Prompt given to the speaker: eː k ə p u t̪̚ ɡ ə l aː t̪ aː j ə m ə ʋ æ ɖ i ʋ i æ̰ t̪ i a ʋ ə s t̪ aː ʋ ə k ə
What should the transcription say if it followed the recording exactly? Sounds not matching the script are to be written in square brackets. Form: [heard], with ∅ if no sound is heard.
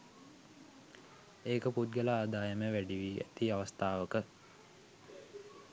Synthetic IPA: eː k ə p u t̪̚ ɡ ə l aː [d̪] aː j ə m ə ʋ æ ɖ i ʋ i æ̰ t̪ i a ʋ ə s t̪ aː ʋ ə k ə